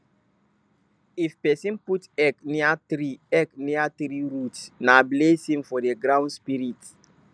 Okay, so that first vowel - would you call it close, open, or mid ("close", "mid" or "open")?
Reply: close